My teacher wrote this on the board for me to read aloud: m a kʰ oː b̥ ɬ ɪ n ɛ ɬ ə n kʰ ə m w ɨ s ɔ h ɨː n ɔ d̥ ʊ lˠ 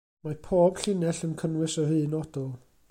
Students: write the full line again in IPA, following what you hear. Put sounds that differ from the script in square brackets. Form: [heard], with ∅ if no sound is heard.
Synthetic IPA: m a [pʰ] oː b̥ ɬ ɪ n ɛ ɬ ə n kʰ ə [n] w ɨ s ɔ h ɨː n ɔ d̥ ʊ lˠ